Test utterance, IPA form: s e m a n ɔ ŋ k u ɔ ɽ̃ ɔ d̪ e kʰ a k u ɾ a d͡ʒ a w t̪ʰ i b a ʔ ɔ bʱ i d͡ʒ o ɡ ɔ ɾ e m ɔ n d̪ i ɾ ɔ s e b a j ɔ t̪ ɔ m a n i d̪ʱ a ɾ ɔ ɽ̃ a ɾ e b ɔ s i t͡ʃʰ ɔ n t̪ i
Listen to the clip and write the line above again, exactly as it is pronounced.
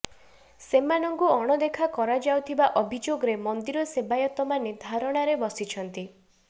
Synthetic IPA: s e m a n ɔ ŋ k u ɔ ɽ̃ ɔ d̪ e kʰ a k ɔ ɾ a d͡ʒ a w t̪ʰ i b a ʔ ɔ bʱ i d͡ʒ o ɡ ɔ ɾ e m ɔ n d̪ i ɾ ɔ s e b a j ɔ t̪ ɔ m a n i d̪ʱ a ɾ ɔ ɽ̃ a ɾ e b ɔ s i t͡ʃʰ ɔ n t̪ i